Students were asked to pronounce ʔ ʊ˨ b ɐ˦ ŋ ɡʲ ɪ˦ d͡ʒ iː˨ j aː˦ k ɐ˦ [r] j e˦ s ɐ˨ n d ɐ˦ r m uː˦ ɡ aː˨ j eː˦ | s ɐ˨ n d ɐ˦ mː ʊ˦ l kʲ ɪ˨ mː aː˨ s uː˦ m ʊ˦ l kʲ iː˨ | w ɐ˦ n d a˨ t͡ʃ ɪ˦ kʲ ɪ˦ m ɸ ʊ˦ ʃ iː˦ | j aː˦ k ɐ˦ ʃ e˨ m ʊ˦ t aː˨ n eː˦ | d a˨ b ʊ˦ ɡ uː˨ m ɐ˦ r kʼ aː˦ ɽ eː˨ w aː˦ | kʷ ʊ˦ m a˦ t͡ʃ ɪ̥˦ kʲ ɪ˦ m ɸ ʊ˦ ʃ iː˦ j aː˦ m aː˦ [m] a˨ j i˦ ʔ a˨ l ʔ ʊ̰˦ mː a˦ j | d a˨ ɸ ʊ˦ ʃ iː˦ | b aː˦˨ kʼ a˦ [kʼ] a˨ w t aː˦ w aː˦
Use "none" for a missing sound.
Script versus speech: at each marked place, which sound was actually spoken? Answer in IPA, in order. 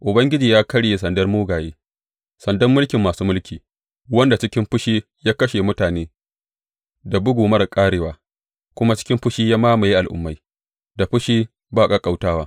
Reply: ɽ, m, kʼ

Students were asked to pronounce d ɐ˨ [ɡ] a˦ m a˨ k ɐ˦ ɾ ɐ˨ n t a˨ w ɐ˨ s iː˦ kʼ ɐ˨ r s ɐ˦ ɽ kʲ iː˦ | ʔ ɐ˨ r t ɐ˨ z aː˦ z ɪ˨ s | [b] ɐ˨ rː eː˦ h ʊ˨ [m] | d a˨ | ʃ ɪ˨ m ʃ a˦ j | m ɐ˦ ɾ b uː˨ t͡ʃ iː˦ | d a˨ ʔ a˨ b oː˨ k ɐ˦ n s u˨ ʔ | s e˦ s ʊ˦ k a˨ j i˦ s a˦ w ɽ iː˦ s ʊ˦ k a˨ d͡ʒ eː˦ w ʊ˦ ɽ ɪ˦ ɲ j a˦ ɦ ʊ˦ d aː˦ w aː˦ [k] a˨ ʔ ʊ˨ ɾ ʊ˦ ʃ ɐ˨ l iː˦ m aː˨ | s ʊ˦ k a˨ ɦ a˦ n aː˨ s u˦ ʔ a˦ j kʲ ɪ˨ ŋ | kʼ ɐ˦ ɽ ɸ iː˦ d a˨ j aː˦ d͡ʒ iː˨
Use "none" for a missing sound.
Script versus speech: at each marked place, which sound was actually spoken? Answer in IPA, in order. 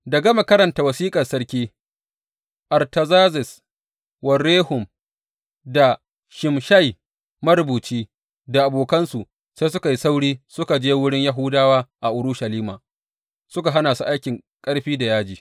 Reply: ɡ, w, m, ʔ

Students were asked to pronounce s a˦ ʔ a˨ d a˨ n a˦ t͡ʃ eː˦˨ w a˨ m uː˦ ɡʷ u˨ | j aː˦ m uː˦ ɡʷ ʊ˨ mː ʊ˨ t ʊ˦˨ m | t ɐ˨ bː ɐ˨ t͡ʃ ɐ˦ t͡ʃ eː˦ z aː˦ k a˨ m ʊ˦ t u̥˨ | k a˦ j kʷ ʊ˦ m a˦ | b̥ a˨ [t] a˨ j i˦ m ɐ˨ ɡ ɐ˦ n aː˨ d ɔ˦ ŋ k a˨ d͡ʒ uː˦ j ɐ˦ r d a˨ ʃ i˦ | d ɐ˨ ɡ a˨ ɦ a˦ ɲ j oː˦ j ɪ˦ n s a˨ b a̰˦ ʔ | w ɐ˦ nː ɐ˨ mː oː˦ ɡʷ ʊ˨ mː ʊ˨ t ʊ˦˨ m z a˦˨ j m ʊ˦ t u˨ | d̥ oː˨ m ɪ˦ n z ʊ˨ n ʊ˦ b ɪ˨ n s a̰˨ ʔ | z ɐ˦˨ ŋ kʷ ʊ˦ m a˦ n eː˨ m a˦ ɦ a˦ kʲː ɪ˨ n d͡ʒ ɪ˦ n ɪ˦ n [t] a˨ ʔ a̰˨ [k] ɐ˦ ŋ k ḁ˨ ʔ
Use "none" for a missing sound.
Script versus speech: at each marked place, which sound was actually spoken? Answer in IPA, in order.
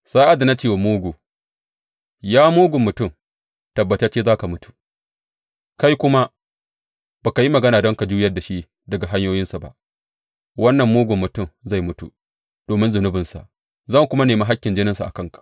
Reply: k, s, k

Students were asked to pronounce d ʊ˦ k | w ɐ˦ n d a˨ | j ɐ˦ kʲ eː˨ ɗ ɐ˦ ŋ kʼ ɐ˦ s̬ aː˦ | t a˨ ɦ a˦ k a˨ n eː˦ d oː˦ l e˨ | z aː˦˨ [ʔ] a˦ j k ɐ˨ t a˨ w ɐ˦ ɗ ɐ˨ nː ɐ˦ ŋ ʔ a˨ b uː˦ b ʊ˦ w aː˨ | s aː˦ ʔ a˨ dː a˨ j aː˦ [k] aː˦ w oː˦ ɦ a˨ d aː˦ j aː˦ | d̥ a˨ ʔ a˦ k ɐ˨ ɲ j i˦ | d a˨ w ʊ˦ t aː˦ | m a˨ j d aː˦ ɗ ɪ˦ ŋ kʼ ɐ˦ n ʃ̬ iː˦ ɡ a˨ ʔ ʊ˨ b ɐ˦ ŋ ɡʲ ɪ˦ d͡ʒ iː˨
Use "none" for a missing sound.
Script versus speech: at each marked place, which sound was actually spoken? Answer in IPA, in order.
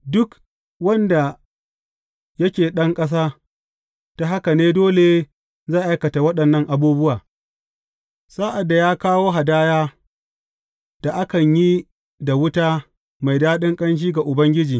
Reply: ʔ, k

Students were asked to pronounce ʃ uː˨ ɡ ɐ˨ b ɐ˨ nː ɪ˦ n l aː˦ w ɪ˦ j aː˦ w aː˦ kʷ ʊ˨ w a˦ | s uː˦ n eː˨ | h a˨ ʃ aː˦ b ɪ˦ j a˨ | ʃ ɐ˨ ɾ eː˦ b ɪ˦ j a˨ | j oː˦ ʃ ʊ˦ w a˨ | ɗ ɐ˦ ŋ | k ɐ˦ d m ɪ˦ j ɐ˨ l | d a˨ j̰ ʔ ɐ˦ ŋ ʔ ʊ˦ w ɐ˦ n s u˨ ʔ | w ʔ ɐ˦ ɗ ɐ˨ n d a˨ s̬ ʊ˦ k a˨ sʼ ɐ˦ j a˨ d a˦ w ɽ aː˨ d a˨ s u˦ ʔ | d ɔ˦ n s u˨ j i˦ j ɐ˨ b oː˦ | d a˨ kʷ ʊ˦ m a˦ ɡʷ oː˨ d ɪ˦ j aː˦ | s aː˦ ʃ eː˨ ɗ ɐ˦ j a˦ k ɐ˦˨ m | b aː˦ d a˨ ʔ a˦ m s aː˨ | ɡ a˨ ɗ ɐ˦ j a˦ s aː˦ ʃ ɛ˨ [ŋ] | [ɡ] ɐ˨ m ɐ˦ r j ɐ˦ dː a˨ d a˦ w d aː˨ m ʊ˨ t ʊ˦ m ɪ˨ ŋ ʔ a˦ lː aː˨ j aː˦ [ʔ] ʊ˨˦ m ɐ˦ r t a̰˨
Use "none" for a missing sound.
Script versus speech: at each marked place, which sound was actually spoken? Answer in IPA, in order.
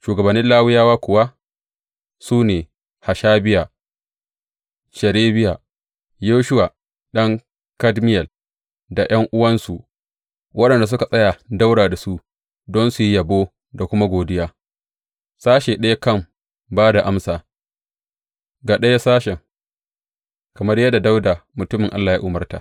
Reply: ŋ, k, ʔ

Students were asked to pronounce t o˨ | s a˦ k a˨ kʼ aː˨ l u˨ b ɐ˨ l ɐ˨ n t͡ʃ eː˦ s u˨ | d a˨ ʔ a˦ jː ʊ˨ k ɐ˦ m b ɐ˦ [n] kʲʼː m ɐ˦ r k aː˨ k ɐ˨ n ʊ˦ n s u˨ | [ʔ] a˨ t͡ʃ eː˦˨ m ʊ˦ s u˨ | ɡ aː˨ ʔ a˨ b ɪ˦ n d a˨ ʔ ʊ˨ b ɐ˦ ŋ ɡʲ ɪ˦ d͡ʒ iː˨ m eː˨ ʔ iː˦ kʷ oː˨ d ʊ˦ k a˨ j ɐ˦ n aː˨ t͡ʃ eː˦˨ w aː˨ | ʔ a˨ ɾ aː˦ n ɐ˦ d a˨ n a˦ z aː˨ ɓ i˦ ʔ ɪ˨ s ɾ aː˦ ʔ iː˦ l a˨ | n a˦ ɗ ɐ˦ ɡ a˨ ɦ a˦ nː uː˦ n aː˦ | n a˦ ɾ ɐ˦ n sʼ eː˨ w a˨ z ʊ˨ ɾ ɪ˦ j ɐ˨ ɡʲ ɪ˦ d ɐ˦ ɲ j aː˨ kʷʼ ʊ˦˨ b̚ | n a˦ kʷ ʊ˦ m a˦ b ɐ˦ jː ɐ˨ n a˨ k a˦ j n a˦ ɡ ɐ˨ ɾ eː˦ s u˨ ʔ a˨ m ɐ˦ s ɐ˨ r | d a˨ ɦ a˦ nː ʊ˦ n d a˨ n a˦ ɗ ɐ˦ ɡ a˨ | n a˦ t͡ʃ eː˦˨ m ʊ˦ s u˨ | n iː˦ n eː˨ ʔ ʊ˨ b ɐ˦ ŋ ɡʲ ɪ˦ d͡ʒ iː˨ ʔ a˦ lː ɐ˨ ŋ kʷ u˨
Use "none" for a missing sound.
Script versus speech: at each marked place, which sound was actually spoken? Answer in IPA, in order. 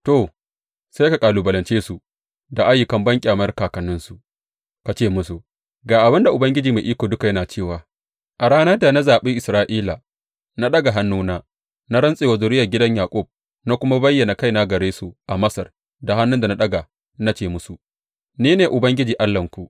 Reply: ŋ, k

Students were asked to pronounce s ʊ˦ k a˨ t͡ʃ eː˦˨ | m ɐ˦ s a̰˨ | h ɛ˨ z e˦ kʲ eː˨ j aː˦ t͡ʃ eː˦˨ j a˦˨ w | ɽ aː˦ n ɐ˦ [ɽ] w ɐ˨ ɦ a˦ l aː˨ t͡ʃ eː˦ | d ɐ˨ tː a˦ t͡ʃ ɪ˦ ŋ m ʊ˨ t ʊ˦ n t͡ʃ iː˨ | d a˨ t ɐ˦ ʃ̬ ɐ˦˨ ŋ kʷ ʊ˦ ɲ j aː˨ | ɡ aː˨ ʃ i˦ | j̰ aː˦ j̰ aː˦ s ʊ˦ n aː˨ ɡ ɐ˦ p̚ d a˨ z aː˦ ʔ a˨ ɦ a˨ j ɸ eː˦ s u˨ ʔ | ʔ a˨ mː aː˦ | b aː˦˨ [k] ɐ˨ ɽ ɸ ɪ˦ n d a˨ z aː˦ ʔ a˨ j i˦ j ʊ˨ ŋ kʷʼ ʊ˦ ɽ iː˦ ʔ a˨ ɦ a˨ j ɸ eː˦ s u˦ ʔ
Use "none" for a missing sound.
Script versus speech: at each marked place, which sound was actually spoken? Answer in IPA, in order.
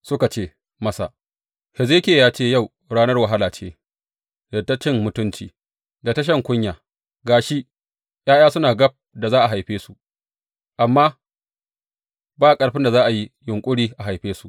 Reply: r, kʼ

